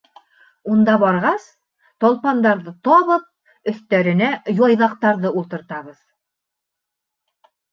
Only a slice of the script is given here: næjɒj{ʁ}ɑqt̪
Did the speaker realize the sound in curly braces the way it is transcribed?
no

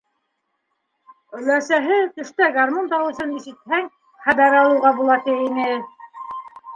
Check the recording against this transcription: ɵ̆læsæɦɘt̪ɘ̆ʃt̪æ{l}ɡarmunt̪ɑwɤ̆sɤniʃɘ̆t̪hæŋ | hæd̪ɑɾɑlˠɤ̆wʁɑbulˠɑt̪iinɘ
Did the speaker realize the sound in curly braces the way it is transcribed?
no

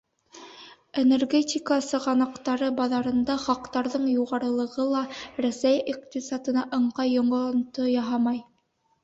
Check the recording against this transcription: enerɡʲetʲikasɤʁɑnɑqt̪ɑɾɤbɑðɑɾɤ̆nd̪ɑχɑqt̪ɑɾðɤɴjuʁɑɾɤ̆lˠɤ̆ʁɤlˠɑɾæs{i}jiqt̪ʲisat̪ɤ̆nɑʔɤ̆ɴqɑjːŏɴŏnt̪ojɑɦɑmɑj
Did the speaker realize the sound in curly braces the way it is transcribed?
no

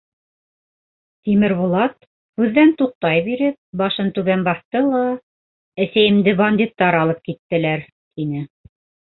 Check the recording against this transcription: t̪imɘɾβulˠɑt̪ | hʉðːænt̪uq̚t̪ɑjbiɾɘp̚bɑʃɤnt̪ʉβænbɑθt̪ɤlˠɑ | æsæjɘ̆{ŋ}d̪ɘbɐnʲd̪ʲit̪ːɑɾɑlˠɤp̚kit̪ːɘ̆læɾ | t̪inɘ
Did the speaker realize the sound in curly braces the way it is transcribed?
no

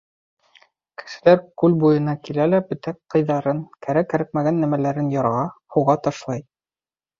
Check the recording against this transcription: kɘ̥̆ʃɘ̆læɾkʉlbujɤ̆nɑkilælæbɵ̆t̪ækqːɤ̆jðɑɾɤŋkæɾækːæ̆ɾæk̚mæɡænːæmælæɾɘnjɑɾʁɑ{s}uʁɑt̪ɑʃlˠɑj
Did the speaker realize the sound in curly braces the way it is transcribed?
no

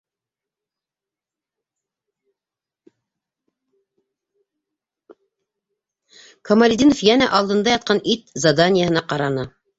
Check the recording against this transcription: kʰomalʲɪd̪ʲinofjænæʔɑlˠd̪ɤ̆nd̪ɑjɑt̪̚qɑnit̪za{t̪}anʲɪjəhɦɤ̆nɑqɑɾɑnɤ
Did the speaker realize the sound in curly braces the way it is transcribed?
no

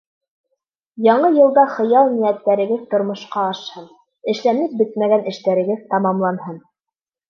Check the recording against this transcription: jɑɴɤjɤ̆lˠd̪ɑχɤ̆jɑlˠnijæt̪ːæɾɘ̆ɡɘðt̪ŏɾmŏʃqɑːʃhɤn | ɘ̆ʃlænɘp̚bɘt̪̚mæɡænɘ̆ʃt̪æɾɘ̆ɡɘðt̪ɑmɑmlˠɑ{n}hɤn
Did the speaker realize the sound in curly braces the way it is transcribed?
yes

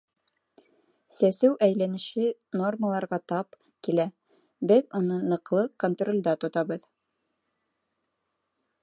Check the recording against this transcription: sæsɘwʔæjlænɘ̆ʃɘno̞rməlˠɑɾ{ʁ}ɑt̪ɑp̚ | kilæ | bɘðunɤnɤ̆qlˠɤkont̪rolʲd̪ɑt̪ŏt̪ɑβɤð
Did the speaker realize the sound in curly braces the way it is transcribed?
yes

